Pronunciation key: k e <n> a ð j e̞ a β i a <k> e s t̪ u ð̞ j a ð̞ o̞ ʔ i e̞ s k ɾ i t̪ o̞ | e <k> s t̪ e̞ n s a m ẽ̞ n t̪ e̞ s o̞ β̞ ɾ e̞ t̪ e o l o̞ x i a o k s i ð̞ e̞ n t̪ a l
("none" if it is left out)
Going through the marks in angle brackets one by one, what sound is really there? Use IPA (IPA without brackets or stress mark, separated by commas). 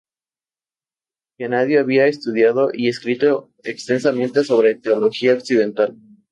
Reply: n, none, k